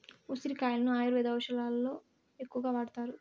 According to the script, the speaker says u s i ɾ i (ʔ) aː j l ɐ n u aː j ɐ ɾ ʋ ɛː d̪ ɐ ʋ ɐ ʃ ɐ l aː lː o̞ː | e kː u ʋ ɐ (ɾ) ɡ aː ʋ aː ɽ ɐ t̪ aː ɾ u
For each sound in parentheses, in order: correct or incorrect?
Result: incorrect, incorrect

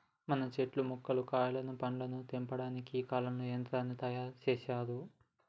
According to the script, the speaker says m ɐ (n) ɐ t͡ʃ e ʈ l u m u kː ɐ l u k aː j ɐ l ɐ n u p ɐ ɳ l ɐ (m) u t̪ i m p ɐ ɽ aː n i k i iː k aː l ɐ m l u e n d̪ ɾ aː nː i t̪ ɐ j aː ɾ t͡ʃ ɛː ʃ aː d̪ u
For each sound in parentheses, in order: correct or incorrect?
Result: correct, incorrect

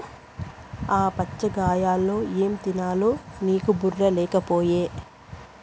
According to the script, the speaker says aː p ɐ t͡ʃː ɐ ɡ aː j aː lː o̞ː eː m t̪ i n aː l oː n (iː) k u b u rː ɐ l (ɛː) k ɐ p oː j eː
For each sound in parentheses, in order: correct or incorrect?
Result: correct, correct

